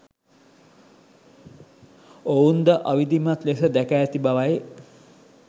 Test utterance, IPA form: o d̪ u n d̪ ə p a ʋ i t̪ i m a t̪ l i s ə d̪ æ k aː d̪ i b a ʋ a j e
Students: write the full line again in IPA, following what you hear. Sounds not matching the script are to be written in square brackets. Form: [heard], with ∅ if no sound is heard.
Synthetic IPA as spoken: o [∅] u n d̪ ə [ʔ] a ʋ i [d̪] i m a t̪ l [e] s ə d̪ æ k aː [t̪] i b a ʋ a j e